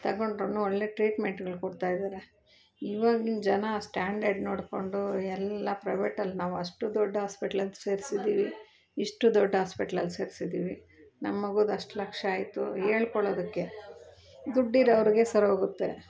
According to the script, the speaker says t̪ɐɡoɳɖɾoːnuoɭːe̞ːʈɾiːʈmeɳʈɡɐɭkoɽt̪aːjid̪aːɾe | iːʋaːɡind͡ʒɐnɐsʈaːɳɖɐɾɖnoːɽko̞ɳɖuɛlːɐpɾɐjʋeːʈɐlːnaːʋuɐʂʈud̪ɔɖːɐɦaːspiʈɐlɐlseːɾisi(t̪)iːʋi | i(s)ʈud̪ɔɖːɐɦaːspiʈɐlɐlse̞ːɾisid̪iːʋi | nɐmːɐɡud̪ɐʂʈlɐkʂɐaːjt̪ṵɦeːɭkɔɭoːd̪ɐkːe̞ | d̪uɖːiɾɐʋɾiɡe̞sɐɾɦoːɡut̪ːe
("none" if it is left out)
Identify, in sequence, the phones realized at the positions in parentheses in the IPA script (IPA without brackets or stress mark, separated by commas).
d̪, ʂ